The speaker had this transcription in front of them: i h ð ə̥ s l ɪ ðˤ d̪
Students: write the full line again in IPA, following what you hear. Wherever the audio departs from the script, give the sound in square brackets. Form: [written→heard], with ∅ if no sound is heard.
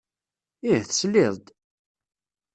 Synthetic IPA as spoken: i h [ð→θ] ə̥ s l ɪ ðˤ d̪